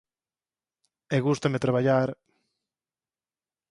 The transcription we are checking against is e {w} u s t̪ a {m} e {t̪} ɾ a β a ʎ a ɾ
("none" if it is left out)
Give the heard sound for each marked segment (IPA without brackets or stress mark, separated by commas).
ɣ, m, t̪